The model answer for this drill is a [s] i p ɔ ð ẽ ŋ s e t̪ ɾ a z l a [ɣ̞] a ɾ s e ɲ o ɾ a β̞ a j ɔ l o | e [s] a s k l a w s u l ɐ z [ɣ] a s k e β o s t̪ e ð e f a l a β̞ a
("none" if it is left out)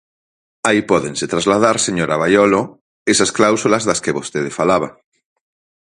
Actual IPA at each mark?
none, ð̞, s, ð

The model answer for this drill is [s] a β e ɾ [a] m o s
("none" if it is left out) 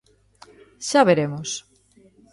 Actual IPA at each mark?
ʃ, e

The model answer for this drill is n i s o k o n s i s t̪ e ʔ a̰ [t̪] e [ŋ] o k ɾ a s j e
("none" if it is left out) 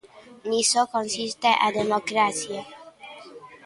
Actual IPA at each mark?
d̪, m

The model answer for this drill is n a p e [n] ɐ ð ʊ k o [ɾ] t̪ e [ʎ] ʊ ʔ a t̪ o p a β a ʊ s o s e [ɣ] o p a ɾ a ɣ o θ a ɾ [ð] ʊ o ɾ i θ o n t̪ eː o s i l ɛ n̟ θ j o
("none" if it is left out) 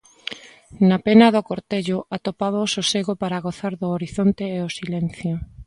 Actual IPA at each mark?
n, ɾ, ʎ, ɣ, ð

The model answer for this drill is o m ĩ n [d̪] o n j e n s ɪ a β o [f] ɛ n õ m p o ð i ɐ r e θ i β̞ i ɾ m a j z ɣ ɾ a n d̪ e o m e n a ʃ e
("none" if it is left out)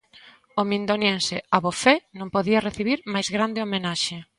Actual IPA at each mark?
d̪, f

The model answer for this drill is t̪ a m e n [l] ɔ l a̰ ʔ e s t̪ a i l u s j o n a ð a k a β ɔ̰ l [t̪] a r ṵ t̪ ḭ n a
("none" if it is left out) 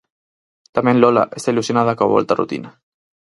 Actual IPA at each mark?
l, t̪

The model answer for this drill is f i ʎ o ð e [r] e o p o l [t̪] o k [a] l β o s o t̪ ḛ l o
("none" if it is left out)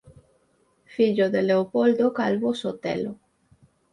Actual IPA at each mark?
l, d̪, a

